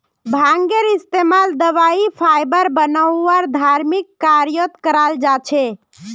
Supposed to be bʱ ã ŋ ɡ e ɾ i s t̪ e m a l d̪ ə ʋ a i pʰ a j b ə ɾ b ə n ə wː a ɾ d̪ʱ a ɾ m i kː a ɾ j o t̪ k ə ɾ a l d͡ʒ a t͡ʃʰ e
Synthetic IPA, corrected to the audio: bʱ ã ŋ ɡ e ɾ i s t̪ e m a l d̪ ə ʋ a i pʰ a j b ə ɾ b ə n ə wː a ɾ d̪ʱ a ɾ m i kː a ɾ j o t̪ k ə ɾ a l d͡ʒ a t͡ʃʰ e